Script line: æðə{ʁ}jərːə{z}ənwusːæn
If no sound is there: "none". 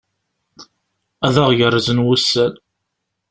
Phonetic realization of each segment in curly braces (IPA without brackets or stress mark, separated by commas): ʁ, z